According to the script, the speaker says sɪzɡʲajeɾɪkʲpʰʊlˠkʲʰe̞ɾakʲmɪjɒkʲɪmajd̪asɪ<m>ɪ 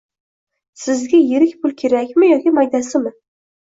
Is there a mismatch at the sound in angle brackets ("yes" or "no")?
no